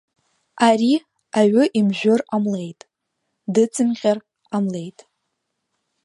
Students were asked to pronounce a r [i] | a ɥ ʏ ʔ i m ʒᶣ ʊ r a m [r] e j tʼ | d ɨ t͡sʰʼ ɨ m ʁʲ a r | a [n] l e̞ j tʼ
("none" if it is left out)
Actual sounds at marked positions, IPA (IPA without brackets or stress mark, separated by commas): i, l, m